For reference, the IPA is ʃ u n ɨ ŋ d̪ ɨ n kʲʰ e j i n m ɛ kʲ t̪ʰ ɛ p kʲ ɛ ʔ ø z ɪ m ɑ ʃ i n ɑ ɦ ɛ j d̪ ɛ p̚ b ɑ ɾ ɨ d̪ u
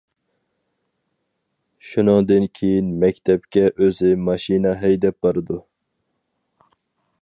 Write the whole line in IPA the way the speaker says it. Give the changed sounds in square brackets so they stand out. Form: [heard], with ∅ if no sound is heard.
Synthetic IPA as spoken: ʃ u n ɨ ŋ d̪ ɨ n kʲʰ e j i n m ɛ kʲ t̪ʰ ɛ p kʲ ɛ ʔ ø z ɪ m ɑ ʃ i n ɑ ɦ ɛ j d̪ ɛ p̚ b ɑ ɾ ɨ d̪ u